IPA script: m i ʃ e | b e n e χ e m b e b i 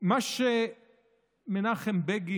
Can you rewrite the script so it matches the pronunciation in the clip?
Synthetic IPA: m a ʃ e | m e n a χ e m b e ɡ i

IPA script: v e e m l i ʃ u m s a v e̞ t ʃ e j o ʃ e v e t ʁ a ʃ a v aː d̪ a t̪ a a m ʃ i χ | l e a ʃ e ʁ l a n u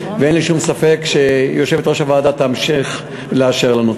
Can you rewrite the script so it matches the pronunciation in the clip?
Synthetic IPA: v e e n l i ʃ u m s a f e̞ k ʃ e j o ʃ e v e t ʁ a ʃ a v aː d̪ a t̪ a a m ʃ i χ | l e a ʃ e ʁ l a n u

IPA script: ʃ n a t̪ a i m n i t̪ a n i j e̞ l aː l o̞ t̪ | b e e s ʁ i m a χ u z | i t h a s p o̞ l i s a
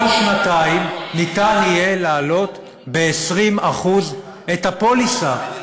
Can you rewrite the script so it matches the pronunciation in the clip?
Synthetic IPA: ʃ n a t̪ a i m n i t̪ a n i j e̞ l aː l o̞ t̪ | b e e s ʁ i m a χ u z | e t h a p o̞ l i s a

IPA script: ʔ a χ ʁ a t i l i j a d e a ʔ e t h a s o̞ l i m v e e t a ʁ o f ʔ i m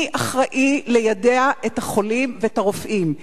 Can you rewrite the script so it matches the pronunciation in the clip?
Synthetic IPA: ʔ a χ ʁ a ʔ i l e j a d e a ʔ e t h a χ o̞ l i m v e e t a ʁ o f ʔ i m

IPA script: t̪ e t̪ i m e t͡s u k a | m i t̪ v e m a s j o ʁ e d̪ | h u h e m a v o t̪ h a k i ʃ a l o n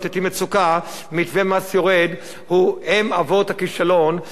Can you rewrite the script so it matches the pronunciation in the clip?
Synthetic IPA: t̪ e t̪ i m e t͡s u k a | m i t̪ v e m a s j o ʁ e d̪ | h u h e m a v o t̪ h a k i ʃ a l o n

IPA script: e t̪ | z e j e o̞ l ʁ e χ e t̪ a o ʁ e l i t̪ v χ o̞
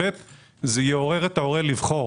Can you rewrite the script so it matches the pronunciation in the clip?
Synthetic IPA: e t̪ | z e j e o̞ ʁ e ʁ e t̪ a o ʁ e l i v χ o̞

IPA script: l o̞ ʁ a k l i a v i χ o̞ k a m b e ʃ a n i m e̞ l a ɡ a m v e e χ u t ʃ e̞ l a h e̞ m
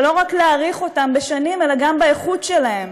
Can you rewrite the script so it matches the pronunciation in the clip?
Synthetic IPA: l o̞ ʁ a k l e a ʁ i χ o̞ t a m b e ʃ a n i m e̞ l a ɡ a m b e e χ u t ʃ e̞ l a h e̞ m

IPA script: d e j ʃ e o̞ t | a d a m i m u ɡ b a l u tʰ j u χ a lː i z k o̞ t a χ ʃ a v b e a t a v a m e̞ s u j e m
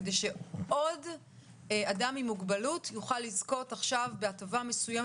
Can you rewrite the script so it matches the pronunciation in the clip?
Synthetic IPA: d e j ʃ e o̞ d | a d a m i m u ɡ b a l u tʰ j u χ a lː i z k o̞ t a χ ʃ a v b e a t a v a m e̞ s u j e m

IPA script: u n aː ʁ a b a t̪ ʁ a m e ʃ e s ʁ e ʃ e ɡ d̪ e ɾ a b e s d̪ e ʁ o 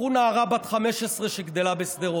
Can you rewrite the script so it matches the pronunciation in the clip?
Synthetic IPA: u n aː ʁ a b a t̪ χ a m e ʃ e s ʁ e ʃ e ɡ d̪ e l a b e s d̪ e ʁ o

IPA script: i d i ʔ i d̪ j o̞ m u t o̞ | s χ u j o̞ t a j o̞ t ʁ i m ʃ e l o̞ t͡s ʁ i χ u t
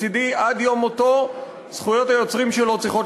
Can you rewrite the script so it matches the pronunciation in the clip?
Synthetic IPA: i d i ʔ a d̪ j o̞ m o t o̞ | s χ u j o̞ t a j o̞ t͡s ʁ i m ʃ e l o̞ t͡s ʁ i χ o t

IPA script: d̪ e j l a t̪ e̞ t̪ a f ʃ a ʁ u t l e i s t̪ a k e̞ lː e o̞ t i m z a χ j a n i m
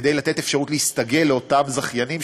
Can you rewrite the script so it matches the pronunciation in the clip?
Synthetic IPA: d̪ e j l a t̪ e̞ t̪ e f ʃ a ʁ u t l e i s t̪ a ɡ e̞ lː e o̞ t a m z a χ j a n i m

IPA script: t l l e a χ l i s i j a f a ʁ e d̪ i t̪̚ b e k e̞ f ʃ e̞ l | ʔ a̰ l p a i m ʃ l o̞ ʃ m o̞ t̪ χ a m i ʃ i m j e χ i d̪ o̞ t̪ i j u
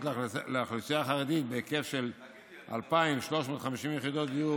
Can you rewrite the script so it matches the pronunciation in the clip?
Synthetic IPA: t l l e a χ l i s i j a χ a ʁ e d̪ i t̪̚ b e k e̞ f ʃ e̞ l | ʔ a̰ l p a i m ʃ l o̞ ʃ m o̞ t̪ χ a m i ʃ i m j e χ i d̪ o̞ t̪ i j u

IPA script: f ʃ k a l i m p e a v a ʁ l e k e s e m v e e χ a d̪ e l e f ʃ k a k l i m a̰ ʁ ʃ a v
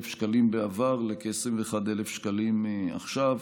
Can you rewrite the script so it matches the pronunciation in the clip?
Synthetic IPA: f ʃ k a l i m b e a v a ʁ l e k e s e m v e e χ a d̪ e l e f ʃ k a l i m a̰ χ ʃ a v

